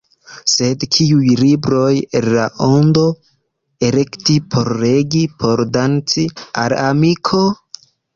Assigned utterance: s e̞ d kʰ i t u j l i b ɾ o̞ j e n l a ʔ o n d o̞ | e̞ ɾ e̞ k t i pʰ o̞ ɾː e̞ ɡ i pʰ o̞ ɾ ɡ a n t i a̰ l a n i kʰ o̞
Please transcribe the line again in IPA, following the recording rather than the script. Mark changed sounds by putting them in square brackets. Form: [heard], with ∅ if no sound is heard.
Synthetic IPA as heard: s e̞ d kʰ i [∅] u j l i b ɾ o̞ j e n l a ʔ o n d o̞ | e̞ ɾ e̞ k t i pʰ o̞ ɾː e̞ ɡ i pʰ o̞ ɾ [d] a n [t͡s] i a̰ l a [m] i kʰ o̞